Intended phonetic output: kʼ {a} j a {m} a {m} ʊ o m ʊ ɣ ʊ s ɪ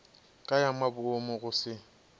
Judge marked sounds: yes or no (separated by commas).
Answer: yes, yes, no